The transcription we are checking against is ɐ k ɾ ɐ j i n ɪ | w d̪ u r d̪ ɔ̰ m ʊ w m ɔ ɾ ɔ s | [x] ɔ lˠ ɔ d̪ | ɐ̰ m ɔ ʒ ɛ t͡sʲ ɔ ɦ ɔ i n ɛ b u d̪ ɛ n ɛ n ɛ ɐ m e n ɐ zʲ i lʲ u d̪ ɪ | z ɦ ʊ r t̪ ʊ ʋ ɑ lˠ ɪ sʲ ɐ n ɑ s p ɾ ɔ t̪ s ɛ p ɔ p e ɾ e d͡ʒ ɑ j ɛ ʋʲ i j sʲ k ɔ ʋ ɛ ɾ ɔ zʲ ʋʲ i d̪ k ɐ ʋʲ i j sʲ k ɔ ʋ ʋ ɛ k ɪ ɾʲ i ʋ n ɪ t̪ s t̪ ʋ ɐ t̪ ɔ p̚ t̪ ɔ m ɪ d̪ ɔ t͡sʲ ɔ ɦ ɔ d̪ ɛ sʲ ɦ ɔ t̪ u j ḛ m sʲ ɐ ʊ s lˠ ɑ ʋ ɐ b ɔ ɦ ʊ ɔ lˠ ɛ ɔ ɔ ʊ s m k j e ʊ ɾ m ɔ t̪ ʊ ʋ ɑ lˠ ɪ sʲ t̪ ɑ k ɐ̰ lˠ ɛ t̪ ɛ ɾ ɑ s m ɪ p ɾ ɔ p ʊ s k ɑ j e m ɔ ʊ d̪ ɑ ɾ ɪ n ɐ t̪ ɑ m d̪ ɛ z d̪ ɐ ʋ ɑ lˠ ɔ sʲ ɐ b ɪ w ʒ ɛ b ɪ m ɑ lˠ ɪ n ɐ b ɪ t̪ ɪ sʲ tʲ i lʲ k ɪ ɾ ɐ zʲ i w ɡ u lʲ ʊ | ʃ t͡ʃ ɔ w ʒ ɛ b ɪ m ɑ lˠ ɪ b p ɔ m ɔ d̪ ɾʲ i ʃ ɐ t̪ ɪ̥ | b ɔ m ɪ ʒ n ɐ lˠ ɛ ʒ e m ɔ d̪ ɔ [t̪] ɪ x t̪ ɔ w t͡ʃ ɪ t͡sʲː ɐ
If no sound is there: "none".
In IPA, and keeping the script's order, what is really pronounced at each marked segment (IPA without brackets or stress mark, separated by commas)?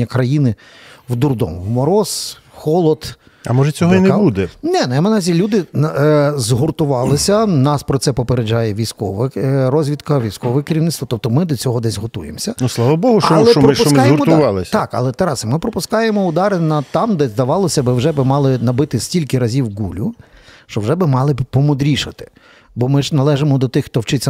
x, t̪